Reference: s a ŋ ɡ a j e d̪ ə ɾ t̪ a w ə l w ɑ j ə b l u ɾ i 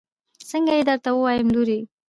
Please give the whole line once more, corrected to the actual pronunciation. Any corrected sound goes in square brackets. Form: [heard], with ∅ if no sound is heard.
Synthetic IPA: s [ə] ŋ ɡ a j e d̪ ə ɾ t̪ a w ə [∅] w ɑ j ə [m] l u ɾ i